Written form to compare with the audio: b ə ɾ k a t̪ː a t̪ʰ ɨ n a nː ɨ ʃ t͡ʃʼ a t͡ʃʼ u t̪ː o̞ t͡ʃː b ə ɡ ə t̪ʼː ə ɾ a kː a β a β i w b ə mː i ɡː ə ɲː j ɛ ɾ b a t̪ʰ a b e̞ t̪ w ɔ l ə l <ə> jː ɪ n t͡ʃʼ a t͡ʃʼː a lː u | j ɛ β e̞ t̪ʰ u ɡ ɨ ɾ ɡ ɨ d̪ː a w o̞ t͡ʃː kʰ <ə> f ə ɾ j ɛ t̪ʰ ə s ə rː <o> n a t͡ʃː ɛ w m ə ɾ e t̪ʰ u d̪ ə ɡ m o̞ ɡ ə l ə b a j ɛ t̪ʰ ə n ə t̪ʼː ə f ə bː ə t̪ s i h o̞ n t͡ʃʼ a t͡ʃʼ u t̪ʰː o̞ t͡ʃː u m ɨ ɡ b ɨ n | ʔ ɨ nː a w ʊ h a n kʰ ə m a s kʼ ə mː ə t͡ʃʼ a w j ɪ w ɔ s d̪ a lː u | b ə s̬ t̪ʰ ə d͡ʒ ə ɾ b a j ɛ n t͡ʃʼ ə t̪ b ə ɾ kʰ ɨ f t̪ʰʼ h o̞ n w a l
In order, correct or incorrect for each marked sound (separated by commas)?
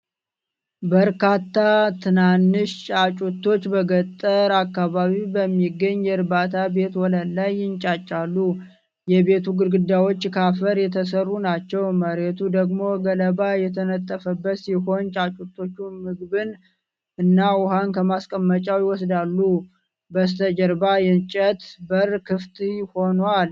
incorrect, incorrect, incorrect